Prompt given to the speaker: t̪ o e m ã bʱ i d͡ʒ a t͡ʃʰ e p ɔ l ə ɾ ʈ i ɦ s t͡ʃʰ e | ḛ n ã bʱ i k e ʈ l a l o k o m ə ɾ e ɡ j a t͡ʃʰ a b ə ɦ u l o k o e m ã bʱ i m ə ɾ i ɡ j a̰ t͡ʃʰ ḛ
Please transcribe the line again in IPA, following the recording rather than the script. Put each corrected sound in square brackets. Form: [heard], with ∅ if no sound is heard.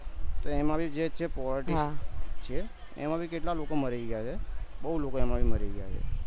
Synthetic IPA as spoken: t̪ o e m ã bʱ i d͡ʒ [e] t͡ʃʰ e p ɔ l ə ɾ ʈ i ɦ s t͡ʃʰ e | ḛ [m] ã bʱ i k e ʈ l a l o k o m ə ɾ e ɡ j a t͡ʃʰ [e] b ə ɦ u l o k o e m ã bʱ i m ə ɾ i ɡ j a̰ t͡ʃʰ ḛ